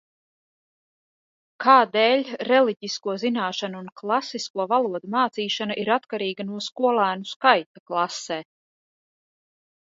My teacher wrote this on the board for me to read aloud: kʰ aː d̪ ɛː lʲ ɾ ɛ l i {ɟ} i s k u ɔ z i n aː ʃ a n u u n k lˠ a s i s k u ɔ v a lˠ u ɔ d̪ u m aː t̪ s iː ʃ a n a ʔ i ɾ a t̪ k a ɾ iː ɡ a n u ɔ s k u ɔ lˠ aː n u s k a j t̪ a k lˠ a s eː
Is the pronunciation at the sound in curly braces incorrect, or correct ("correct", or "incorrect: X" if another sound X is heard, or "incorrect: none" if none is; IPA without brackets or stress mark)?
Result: correct